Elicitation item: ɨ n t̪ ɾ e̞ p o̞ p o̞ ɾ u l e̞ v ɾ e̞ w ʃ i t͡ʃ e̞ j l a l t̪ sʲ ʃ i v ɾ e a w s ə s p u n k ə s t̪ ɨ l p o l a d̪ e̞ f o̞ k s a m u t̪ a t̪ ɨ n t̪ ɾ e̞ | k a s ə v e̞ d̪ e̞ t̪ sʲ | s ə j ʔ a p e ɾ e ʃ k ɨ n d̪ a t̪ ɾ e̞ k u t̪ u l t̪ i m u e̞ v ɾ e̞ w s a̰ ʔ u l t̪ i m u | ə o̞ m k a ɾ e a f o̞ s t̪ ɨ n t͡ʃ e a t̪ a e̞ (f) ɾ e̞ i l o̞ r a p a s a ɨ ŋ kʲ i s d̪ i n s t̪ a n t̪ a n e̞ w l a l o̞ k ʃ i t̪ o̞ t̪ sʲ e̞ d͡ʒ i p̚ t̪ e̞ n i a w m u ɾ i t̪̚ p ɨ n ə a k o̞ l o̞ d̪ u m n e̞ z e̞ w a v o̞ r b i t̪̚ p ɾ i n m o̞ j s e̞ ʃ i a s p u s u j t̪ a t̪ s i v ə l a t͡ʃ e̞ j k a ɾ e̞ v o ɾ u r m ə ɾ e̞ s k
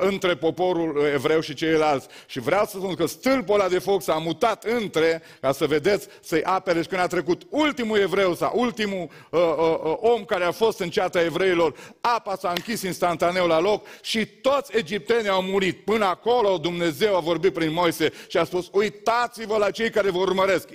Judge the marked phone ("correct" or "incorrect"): incorrect